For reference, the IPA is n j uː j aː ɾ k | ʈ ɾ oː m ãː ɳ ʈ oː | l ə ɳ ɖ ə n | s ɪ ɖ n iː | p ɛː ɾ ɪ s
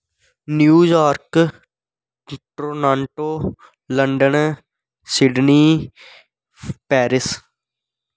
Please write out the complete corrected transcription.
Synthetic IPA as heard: n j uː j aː ɾ k | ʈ ɾ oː n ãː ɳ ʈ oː | l ə ɳ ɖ ə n | s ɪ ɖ n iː | p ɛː ɾ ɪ s